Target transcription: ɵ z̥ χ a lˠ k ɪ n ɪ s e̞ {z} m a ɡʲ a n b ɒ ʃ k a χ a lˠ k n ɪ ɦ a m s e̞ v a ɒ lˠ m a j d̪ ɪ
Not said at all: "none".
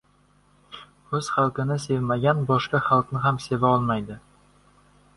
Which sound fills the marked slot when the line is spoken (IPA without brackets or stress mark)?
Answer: v